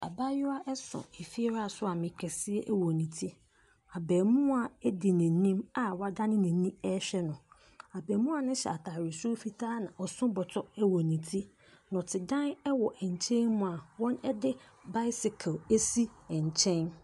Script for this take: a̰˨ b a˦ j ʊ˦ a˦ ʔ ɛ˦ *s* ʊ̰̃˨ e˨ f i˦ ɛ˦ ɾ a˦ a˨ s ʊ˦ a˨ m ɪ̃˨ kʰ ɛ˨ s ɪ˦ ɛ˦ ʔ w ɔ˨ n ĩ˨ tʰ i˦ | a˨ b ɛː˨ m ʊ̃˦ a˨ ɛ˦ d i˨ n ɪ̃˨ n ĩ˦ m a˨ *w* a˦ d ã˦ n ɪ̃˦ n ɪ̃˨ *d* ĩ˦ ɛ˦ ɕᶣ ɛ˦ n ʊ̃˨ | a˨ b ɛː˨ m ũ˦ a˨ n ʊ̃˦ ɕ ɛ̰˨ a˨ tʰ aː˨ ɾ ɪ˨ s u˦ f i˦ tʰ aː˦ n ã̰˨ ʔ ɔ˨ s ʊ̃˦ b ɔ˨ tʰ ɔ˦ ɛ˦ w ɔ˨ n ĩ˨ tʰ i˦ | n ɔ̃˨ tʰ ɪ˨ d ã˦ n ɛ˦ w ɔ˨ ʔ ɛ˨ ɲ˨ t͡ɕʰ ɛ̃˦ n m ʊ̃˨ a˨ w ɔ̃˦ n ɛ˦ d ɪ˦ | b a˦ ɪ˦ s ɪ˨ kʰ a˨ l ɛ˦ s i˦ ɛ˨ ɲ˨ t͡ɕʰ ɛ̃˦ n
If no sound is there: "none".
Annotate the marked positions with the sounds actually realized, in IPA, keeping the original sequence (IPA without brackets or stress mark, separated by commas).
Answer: s, w, n